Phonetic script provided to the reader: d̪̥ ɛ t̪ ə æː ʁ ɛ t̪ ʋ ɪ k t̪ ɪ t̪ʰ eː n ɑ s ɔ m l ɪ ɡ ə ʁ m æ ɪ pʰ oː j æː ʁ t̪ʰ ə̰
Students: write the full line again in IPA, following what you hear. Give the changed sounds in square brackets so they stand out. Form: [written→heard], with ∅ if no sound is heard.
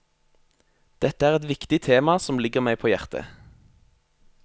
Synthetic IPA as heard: d̪̥ ɛ t̪ ə æː ʁ ɛ t̪ ʋ ɪ k t̪ ɪ t̪ʰ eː [n→m] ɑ s ɔ m l ɪ ɡ ə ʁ m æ ɪ pʰ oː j [æː→æ] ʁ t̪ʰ ə̰

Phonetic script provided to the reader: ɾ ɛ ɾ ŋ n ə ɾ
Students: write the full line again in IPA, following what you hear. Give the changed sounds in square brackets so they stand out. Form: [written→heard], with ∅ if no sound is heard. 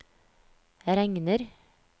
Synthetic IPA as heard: ɾ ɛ [ɾ→∅] ŋ n ə ɾ

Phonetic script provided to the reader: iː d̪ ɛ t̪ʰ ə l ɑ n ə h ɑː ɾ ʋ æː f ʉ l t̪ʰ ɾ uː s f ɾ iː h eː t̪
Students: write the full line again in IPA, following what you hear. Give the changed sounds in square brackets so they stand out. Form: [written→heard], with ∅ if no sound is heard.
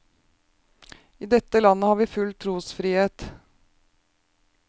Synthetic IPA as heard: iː d̪ ɛ [t̪ʰ→t̪] ə l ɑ n ə h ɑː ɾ ʋ [æː→iː] f ʉ l t̪ʰ ɾ uː s f ɾ iː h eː t̪

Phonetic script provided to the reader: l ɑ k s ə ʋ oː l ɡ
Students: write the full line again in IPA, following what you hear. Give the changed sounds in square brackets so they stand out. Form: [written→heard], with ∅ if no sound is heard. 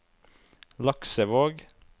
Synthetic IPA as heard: l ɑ k s ə ʋ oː [l→∅] ɡ

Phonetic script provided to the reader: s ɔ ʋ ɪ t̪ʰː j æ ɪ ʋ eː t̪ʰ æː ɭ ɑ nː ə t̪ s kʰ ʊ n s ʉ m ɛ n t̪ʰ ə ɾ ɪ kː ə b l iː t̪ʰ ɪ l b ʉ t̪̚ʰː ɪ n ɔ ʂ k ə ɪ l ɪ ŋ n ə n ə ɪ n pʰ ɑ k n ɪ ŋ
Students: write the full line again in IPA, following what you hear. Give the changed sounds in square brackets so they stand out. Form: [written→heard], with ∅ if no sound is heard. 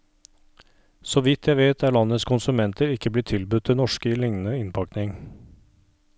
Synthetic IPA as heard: s ɔ ʋ ɪ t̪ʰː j æ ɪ ʋ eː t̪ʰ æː ɭ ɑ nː ə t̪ s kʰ ʊ n s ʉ m ɛ n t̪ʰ ə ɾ ɪ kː ə b l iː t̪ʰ ɪ l b ʉ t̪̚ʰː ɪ n ɔ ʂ k ə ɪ l ɪ ŋ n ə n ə ɪ n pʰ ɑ k n ɪ ŋ

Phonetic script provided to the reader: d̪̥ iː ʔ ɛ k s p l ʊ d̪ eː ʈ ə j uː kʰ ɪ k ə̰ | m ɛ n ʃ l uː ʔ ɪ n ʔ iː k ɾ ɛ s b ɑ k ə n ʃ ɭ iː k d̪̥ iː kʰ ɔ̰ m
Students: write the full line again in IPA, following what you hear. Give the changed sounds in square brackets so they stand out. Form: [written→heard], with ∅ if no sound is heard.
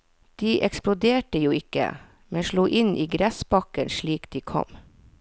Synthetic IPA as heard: d̪̥ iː ʔ ɛ k s p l ʊ d̪ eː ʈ ə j uː [kʰ→∅] ɪ k ə̰ | m ɛ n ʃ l uː ʔ ɪ n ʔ iː [k→ɡ] ɾ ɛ s b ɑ k ə n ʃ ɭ iː k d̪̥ iː kʰ ɔ̰ m

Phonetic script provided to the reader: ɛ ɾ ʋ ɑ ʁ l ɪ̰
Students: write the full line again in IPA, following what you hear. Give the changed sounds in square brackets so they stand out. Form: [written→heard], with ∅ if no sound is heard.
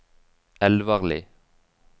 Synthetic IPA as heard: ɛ [ɾ→l] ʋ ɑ ʁ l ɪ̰

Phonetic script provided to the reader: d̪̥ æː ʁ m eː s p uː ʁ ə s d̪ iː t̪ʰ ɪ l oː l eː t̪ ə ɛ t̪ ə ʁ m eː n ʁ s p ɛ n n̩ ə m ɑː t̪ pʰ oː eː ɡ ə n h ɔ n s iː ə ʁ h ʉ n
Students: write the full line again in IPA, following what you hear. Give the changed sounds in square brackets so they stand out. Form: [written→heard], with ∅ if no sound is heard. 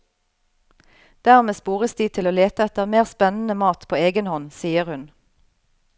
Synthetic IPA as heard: d̪̥ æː ʁ m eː s p uː ʁ ə s d̪ iː t̪ʰ ɪ l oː l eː t̪ ə ɛ t̪ ə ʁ m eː [n→∅] ʁ s p ɛ n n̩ ə m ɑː t̪ pʰ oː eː ɡ ə n h ɔ n s iː ə ʁ h ʉ n

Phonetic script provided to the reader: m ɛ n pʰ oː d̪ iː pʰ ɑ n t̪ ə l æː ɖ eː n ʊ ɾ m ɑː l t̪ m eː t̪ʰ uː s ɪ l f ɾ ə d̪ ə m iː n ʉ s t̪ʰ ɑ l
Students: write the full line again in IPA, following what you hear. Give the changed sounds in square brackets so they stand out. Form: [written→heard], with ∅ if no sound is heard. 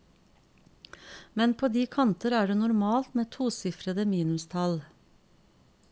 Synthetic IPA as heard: m ɛ n pʰ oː d̪ iː [pʰ→kʰ] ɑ n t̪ ə [l→ɾ] æː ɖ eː n ʊ ɾ m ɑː l t̪ m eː t̪ʰ uː s ɪ [l→∅] f ɾ ə d̪ ə m iː n ʉ s t̪ʰ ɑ l

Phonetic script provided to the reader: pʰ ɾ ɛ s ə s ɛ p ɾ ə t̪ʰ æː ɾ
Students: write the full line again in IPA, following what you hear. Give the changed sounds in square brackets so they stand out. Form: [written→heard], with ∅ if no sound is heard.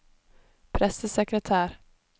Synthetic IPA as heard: pʰ ɾ ɛ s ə s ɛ [p→k] ɾ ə t̪ʰ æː ɾ

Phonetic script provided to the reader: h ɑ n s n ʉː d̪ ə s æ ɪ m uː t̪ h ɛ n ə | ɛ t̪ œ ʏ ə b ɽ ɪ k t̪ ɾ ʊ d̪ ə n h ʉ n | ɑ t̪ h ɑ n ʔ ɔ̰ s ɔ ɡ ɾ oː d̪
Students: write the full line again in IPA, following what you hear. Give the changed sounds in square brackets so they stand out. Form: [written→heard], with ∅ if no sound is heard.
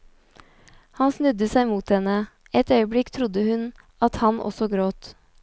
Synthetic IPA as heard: h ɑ n s n [ʉː→ʉ] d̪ ə s æ ɪ m uː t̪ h ɛ n ə | ɛ t̪ œ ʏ ə b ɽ ɪ k [t̪→t̪ʰ] ɾ ʊ d̪ ə [n→∅] h ʉ n | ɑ t̪ h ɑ n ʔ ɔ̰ s ɔ ɡ ɾ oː [d̪→t̪]

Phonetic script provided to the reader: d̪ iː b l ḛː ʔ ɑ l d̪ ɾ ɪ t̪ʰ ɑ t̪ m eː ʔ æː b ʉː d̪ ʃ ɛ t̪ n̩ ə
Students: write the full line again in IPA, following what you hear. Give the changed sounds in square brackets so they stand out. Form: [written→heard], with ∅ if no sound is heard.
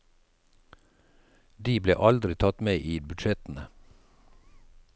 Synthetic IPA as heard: d̪ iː b l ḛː ʔ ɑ l d̪ ɾ ɪ t̪ʰ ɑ t̪ m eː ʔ [æː→iː] b [ʉː→ʉ] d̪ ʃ ɛ t̪ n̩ ə

